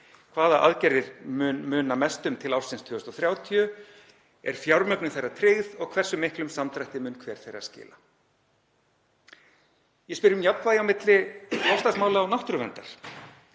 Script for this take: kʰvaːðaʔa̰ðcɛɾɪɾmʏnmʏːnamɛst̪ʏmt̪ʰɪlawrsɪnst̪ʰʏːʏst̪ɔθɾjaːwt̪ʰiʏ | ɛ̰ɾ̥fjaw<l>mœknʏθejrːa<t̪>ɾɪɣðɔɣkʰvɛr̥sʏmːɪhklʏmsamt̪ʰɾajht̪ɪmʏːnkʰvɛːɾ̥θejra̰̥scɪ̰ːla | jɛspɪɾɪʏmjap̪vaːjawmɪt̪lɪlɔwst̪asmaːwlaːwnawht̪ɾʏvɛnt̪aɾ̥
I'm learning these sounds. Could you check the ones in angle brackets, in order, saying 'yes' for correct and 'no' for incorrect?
no, no

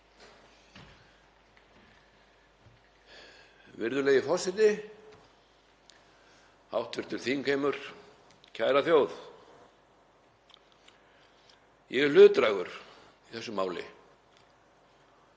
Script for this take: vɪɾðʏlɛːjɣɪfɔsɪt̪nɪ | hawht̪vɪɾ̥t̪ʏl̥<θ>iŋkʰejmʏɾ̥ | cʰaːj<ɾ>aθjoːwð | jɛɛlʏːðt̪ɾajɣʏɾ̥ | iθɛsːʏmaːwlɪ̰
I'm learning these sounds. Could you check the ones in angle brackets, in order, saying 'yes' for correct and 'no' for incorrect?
yes, yes

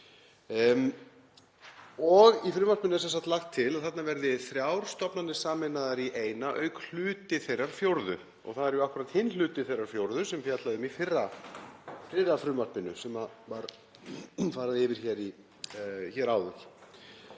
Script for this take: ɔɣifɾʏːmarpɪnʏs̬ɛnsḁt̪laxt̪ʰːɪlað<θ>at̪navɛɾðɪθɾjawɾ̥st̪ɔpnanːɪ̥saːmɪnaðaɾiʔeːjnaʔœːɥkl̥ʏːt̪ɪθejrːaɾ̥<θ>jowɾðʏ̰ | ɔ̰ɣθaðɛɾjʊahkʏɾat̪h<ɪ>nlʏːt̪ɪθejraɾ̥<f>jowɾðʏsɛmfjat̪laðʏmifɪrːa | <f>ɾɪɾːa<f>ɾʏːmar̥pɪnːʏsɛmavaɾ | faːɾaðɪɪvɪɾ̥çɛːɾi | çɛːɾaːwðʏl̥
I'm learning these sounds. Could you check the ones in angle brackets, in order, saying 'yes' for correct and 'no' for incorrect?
yes, no, yes, yes, yes, yes

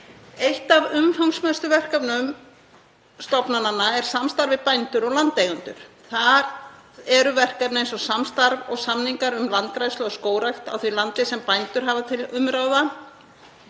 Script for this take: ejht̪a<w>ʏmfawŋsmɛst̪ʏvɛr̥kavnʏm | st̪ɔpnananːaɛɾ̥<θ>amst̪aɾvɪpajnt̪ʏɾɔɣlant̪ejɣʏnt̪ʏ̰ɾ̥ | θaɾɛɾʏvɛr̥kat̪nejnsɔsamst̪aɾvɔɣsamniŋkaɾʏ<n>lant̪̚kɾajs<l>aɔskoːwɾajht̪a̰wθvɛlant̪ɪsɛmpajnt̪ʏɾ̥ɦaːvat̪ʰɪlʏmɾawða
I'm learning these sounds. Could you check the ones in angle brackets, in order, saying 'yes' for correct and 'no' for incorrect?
no, no, no, yes

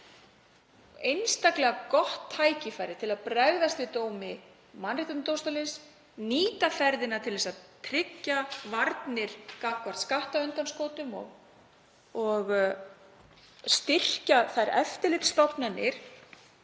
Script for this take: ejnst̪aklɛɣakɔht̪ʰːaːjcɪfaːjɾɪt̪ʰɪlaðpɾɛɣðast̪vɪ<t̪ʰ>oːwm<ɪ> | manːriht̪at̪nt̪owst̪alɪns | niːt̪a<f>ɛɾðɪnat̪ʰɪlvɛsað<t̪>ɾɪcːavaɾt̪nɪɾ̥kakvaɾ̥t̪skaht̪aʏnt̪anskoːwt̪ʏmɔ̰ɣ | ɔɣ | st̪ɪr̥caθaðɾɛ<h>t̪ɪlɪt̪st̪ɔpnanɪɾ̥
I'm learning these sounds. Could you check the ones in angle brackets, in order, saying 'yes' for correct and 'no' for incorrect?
no, yes, yes, no, no

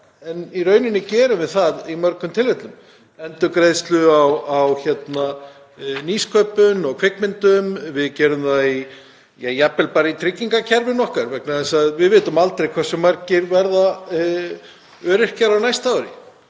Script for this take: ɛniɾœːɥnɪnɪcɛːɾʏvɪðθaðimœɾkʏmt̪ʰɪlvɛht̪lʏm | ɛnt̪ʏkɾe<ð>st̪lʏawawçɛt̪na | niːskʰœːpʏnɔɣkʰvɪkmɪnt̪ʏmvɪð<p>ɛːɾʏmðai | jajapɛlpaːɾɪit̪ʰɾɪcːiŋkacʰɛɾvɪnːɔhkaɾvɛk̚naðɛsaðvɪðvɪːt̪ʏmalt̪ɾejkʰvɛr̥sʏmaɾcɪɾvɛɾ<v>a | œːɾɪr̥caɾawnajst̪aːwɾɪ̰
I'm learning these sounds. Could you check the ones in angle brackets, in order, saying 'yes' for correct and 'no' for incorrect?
yes, no, no

